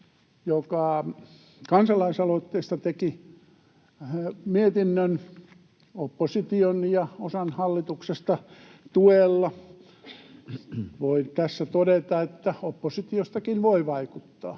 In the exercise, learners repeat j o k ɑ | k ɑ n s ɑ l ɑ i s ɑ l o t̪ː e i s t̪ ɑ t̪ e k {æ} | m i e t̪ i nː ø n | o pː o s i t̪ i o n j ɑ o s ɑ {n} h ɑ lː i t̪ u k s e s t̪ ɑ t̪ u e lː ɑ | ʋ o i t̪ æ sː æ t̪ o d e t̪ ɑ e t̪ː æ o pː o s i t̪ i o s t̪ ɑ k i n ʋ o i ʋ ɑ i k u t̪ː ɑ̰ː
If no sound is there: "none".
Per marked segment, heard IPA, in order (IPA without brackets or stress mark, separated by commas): i, n